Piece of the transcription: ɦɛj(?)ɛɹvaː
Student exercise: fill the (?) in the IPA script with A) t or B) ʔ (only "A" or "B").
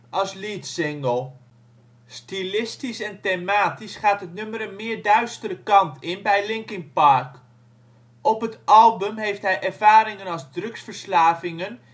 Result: B